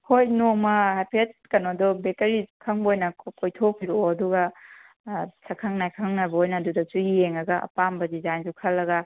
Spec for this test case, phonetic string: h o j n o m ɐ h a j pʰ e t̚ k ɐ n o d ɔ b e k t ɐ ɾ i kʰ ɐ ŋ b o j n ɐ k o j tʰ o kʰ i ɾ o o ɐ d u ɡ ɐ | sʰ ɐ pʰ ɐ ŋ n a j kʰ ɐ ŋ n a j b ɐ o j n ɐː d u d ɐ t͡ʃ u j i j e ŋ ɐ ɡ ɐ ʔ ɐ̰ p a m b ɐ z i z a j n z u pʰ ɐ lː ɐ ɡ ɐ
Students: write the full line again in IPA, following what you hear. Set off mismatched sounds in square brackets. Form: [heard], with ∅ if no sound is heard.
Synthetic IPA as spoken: h o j n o m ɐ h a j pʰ e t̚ k ɐ n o d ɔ b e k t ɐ ɾ i kʰ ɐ ŋ b o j n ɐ k o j tʰ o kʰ i ɾ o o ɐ d u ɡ ɐ | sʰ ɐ [kʰ] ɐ ŋ n a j kʰ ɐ ŋ n a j b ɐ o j n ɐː d u d ɐ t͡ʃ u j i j e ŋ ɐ ɡ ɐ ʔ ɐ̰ p a m b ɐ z i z a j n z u [kʰ] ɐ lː ɐ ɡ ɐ

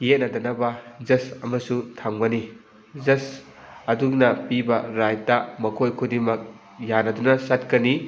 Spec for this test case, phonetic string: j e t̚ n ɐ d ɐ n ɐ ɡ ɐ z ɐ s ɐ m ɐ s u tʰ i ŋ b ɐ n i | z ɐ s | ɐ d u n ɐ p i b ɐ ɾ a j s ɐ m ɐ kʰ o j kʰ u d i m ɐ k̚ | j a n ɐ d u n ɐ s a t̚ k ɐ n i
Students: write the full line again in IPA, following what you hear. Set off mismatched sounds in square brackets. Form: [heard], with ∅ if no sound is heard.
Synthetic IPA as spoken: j e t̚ n ɐ d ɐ n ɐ [b] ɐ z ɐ s ɐ m ɐ s u tʰ [a] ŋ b ɐ n i | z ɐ s | ɐ d u n ɐ p i b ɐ ɾ a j [t] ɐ m ɐ kʰ o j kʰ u d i m ɐ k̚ | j a n ɐ d u n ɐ s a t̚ k ɐ n i

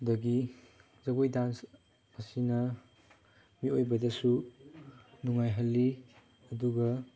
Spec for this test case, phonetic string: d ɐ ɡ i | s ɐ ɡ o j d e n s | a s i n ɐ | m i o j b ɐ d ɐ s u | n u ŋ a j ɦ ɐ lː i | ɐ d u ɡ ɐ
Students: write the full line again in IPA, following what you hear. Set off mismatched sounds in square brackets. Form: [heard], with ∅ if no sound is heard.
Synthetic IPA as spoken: d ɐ ɡ i | [z] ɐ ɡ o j d [a] n s | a s i n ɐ | m i o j b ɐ d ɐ s u | n u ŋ a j ɦ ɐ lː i | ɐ d u ɡ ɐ

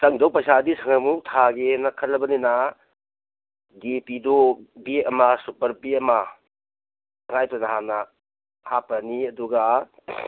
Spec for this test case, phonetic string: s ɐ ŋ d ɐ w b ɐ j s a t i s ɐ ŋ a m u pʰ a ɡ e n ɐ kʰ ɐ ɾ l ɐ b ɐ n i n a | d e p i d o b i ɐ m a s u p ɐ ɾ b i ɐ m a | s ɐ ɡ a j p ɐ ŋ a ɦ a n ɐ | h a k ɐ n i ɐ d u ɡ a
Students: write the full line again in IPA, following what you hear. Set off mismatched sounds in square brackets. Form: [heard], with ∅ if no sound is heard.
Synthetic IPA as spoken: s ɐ ŋ d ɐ w [p] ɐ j s a [d] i s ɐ ŋ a m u [tʰ] a ɡ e n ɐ kʰ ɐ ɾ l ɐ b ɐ n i n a | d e p i d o b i ɐ m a s u p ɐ ɾ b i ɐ m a | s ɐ [ŋ] a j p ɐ [n] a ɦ a n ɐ | h a [p] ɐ n i ɐ d u ɡ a

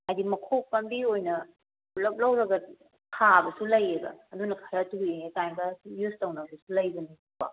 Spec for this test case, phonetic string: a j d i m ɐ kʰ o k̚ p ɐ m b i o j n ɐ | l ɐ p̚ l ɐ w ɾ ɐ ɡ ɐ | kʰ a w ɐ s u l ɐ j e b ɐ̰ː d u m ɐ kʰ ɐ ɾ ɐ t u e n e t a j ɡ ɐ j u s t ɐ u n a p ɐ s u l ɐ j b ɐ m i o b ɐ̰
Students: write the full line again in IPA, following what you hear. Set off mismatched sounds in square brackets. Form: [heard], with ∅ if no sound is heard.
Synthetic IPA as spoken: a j d i m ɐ kʰ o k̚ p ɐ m b i o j n ɐ | l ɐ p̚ l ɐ w ɾ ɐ ɡ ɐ | kʰ a [b] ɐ s u l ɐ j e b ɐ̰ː d u [n] ɐ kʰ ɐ ɾ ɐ t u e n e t a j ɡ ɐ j u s t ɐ [w] n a [b] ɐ s u l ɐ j b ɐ [n] i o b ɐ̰

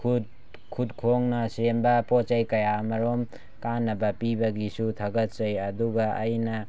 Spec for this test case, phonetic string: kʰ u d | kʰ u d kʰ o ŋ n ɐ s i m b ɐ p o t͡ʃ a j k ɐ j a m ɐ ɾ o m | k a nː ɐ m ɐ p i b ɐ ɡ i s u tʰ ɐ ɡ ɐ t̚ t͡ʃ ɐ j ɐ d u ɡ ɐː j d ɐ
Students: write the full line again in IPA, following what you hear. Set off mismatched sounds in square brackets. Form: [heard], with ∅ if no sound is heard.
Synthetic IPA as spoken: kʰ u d | kʰ u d kʰ o ŋ n ɐ s [e] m b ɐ p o t͡ʃ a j k ɐ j a m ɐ ɾ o m | k a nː ɐ [b] ɐ p i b ɐ ɡ i s u tʰ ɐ ɡ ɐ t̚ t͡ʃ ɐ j ɐ d u ɡ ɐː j [n] ɐ

